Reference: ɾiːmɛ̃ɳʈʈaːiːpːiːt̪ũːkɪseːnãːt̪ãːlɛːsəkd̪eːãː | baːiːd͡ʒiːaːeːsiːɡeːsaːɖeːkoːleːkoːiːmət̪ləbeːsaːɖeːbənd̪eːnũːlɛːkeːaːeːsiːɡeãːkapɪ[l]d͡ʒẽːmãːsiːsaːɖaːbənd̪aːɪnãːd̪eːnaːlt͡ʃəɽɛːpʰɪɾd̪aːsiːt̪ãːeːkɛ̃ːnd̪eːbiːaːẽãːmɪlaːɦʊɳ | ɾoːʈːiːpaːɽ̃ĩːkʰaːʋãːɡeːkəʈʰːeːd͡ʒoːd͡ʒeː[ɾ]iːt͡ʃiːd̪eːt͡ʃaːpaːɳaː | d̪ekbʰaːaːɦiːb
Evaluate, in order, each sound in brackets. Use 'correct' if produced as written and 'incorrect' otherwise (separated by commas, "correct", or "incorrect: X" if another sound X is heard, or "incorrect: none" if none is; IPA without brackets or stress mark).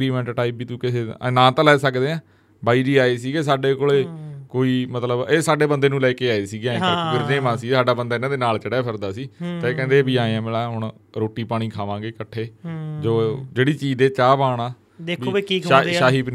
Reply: incorrect: ɾ, incorrect: ɽ